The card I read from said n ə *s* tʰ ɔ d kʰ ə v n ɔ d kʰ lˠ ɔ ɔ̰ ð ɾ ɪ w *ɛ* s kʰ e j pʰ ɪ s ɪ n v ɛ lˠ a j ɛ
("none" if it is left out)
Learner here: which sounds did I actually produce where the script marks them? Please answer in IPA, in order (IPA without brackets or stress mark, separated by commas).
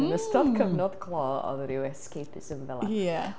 s, ɛ